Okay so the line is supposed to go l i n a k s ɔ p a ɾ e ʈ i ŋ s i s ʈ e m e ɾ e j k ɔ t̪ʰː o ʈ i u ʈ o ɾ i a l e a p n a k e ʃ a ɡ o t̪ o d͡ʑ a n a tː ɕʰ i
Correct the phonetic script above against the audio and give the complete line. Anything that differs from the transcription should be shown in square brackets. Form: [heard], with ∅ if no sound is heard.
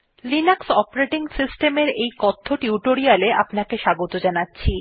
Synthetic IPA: l i n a k s ɔ p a ɾ e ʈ i ŋ s i s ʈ e m e ɾ e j k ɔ t̪ʰː o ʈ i u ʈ o ɾ i a l e a p n a k e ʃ a ɡ o t̪ o d͡ʑ a n a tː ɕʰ i